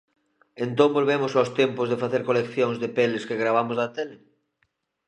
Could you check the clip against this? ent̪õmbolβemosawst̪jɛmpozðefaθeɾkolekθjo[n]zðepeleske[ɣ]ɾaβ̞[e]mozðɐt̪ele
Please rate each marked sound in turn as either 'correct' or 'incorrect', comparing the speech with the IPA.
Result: incorrect: ŋ, correct, incorrect: a

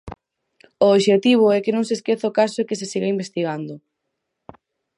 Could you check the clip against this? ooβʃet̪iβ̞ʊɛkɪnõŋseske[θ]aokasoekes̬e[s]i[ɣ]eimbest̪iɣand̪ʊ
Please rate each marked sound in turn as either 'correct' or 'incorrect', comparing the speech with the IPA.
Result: correct, correct, correct

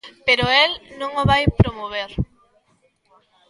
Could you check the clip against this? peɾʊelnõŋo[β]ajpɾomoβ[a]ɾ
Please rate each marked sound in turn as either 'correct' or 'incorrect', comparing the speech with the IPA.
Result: correct, incorrect: e

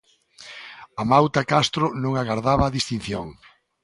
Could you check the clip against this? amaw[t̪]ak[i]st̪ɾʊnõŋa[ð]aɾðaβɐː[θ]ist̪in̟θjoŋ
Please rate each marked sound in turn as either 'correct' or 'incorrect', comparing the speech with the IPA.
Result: correct, incorrect: a, incorrect: ɣ, incorrect: ð

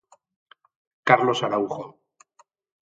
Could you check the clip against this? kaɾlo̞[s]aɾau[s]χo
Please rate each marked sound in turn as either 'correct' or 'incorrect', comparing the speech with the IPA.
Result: correct, incorrect: none

